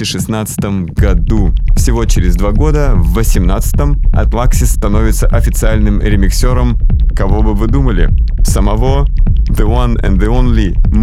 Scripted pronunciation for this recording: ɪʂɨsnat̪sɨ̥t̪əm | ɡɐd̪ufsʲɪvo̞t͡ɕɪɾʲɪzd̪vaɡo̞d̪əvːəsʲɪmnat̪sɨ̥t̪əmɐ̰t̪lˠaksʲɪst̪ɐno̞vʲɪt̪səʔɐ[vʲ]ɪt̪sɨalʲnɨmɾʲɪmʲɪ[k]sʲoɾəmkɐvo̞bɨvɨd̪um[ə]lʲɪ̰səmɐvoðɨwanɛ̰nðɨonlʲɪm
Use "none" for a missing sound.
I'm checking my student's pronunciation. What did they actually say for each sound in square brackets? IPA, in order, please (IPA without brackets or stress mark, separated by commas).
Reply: fʲ, k, ə